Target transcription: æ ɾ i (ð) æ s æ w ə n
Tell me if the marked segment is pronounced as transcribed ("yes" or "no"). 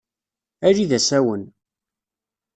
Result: yes